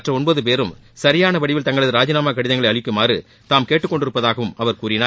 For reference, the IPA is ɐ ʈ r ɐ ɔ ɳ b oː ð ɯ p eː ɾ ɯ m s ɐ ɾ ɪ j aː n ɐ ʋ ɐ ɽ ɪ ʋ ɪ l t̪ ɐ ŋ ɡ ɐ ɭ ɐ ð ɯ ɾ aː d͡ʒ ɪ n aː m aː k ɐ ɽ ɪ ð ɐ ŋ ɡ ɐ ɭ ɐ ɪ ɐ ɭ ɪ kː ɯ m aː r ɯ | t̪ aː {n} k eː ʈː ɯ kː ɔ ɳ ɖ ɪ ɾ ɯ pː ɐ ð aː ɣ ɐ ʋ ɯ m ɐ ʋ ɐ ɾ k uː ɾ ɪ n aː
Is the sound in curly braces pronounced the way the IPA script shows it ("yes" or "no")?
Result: no